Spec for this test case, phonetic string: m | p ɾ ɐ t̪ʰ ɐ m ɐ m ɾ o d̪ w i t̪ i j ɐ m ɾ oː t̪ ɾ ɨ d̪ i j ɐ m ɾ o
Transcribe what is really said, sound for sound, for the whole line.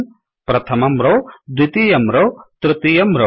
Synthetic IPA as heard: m | p ɾ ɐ t̪ʰ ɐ m ɐ m ɾ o d̪ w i t̪ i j ɐ m ɾ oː t̪ ɾ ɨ t̪ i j ɐ m ɾ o